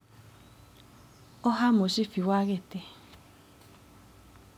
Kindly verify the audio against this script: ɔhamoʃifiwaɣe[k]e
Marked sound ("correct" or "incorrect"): incorrect